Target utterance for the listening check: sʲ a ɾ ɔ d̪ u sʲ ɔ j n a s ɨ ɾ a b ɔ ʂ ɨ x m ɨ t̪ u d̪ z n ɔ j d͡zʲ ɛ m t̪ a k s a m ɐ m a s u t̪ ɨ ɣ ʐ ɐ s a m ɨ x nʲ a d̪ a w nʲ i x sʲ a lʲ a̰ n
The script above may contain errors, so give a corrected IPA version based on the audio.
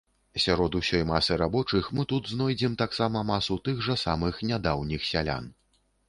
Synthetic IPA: sʲ a ɾ ɔ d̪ u sʲ ɔ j m a s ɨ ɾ a b ɔ t͡ʂ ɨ x m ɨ t̪ u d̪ z n ɔ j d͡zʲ ɛ m t̪ a k s a m ɐ m a s u t̪ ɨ ɣ ʐ ɐ s a m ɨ x nʲ a d̪ a w nʲ i x sʲ a lʲ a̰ n